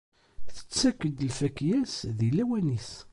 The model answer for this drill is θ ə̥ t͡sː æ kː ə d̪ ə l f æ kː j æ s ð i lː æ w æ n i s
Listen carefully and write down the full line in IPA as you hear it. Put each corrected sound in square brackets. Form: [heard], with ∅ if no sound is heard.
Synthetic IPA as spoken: θ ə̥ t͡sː æ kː ə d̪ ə l f æ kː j æ s ð i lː æ w æ n i s